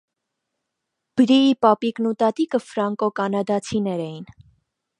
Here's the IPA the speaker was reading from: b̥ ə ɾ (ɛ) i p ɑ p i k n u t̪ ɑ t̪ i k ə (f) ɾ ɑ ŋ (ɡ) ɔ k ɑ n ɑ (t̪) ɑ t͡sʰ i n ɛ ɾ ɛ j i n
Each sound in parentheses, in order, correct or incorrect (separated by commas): incorrect, correct, incorrect, incorrect